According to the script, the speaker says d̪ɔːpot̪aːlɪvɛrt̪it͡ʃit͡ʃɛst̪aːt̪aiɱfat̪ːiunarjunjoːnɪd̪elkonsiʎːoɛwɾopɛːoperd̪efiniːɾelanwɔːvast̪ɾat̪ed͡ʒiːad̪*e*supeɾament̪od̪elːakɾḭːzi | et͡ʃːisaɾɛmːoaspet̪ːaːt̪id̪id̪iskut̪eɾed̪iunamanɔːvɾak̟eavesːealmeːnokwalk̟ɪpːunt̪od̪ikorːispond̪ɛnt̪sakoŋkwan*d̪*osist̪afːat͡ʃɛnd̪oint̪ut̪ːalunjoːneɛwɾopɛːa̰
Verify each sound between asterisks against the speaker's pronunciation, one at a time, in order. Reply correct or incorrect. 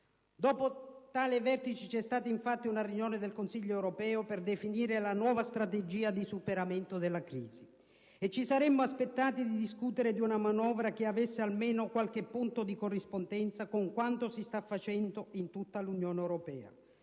incorrect, incorrect

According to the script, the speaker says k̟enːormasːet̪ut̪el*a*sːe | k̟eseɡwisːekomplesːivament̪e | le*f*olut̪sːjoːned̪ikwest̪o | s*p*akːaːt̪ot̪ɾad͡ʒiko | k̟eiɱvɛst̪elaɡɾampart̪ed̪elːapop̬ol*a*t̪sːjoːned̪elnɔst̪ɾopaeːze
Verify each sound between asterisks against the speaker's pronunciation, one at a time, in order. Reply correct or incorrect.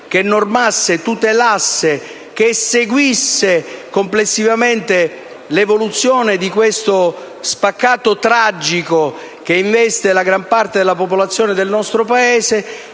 correct, incorrect, correct, correct

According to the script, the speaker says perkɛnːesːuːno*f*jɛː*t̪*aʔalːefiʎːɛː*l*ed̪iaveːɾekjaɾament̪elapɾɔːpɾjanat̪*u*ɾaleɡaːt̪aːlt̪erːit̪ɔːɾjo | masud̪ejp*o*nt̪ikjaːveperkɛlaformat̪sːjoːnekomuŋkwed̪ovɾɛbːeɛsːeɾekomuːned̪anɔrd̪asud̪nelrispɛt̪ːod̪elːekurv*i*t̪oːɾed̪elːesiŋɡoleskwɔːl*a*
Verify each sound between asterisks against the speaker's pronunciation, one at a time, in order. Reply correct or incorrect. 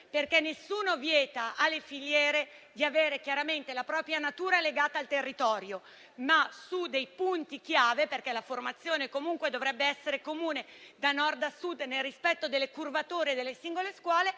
incorrect, correct, incorrect, incorrect, incorrect, incorrect, incorrect

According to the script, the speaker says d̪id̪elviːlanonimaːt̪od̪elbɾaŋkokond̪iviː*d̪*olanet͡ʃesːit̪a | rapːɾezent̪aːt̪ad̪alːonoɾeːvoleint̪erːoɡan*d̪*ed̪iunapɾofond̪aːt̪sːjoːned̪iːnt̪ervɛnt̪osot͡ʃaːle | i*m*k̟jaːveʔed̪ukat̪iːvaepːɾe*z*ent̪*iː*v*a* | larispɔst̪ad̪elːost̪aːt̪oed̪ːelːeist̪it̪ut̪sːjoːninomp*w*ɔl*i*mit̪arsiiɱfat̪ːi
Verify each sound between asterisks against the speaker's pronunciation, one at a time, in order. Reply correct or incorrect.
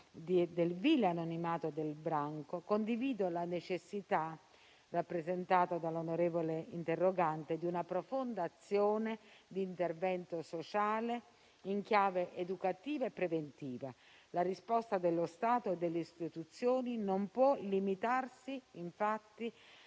correct, incorrect, incorrect, incorrect, correct, correct, correct, correct

